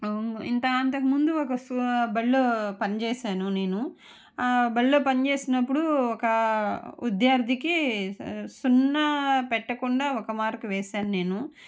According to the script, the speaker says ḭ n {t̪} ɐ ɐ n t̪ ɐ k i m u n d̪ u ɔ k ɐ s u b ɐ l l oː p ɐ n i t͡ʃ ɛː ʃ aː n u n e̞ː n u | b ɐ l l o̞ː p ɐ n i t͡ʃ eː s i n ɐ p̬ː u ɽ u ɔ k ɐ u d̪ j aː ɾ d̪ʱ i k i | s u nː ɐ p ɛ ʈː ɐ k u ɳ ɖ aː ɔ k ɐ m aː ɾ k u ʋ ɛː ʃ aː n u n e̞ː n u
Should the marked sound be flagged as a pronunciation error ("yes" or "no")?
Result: no